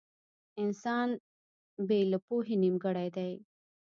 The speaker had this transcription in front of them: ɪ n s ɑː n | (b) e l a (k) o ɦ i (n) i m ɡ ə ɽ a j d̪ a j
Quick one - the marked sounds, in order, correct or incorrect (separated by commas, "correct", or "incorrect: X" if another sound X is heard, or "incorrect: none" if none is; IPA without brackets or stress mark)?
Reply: correct, incorrect: p, correct